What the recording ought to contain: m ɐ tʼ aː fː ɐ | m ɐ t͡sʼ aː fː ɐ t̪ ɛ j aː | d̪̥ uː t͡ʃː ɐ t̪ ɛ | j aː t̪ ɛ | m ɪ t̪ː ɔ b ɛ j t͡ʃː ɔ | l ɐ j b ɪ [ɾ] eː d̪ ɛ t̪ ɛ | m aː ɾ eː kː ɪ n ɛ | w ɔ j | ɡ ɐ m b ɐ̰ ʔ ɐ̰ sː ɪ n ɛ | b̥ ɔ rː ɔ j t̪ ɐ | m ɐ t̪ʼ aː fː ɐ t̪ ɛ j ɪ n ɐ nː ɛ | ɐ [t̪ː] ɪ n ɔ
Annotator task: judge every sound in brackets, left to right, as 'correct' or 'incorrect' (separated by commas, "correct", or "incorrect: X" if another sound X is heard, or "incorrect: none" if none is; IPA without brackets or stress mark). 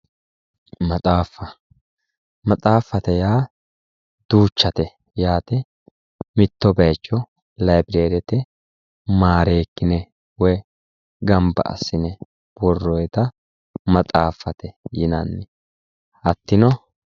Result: correct, correct